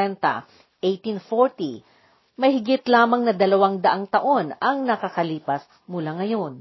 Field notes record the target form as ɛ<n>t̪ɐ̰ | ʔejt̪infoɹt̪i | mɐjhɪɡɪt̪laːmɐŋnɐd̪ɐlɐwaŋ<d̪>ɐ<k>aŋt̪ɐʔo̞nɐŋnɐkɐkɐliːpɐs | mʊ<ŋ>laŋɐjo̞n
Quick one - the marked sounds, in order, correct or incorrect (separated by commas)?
correct, correct, incorrect, incorrect